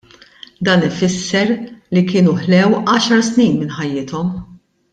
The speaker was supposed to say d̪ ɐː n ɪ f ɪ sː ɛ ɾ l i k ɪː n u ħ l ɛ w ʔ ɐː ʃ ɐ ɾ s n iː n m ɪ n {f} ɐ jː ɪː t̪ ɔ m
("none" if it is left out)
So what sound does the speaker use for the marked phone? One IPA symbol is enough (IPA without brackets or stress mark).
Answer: ħ